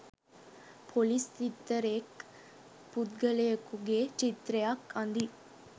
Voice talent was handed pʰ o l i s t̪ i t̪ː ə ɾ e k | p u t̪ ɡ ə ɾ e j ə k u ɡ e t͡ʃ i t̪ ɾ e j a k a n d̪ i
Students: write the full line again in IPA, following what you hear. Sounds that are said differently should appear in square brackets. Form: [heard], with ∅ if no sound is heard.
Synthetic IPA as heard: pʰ o l i s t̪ i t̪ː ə ɾ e k | p u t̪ ɡ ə [l] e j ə k u ɡ e t͡ʃ i t̪ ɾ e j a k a n d̪ i